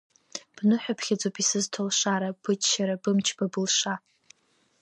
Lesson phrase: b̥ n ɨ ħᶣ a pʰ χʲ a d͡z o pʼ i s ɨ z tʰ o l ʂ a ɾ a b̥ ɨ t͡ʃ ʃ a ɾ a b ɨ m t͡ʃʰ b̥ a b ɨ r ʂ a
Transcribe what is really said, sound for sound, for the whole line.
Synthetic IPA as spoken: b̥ n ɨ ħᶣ a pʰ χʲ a d͡z o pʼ i s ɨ z tʰ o l ʂ a ɾ a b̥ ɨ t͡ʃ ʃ a ɾ a b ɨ m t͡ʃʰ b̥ a b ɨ l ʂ a